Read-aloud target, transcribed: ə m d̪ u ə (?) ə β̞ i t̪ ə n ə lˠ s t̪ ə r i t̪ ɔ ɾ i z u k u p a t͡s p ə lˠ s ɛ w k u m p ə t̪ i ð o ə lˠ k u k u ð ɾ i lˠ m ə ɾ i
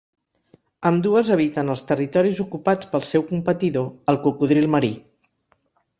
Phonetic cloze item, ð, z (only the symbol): z